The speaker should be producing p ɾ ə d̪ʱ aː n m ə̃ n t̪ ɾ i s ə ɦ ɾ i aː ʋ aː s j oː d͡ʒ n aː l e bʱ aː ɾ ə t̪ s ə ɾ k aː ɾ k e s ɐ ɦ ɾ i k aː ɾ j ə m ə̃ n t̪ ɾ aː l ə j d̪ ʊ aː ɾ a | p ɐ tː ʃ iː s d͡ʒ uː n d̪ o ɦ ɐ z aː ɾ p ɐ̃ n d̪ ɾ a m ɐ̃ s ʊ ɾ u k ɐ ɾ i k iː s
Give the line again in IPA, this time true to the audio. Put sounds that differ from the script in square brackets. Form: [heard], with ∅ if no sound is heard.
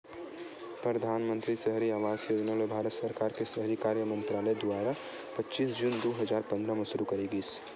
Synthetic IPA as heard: p ɾ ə d̪ʱ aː n m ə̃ n t̪ ɾ i s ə ɦ ɾ i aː ʋ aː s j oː d͡ʒ n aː l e bʱ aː ɾ ə t̪ s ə ɾ k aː ɾ k e s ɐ ɦ ɾ i k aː ɾ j ə m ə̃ n t̪ ɾ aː l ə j d̪ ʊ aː ɾ a | p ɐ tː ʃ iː s d͡ʒ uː n d̪ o ɦ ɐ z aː ɾ p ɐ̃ n d̪ ɾ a m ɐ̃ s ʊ ɾ u k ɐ ɾ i [ɡ] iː s